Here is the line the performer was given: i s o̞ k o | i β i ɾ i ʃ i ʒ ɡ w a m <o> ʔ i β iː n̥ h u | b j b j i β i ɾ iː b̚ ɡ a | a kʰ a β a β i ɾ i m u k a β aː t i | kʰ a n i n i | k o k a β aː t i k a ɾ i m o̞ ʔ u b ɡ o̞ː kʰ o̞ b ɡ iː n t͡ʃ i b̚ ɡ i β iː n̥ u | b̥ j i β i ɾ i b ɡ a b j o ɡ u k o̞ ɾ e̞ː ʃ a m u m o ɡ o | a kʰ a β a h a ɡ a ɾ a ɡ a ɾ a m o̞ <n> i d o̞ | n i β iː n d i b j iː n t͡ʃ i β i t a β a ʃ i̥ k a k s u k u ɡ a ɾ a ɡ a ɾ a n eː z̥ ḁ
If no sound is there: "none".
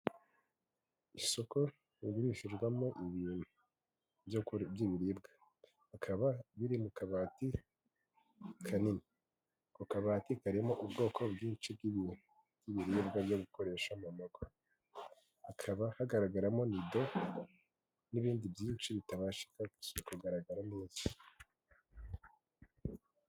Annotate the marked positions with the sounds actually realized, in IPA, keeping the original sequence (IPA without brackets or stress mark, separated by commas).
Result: o, n